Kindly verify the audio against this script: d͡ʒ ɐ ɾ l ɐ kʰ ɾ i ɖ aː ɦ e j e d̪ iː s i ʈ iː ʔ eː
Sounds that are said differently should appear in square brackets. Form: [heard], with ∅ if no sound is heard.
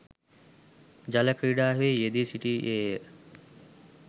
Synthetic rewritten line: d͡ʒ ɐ [∅] l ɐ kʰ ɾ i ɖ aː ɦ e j e d̪ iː s i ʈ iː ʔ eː